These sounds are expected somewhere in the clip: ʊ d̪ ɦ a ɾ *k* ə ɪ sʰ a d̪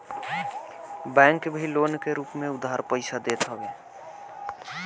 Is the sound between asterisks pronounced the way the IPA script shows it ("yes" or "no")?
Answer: no